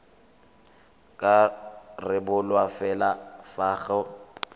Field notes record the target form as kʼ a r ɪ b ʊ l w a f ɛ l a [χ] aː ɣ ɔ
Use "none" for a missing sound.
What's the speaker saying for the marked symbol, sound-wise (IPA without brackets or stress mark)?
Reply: f